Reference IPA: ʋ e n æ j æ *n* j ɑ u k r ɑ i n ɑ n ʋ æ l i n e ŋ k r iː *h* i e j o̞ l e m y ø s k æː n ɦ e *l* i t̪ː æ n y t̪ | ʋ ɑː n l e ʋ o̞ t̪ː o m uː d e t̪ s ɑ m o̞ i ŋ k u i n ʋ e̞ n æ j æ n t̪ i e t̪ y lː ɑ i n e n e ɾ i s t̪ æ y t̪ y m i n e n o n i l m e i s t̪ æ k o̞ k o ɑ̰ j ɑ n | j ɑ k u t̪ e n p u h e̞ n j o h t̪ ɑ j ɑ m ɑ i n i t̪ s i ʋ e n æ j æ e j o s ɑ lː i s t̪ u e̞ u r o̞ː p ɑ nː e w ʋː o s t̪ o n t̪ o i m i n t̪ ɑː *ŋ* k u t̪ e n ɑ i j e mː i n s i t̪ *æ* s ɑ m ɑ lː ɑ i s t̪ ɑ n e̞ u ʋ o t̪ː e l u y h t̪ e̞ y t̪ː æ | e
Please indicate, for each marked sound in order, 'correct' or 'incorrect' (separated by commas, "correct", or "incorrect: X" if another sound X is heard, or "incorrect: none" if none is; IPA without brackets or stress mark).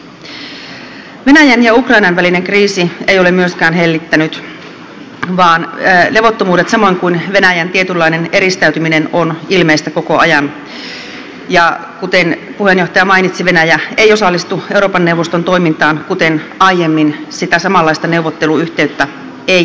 correct, incorrect: s, incorrect: lː, incorrect: n, correct